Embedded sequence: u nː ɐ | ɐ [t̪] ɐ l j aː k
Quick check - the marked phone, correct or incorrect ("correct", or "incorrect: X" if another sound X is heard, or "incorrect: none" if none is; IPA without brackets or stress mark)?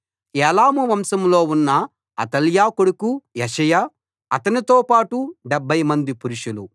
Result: correct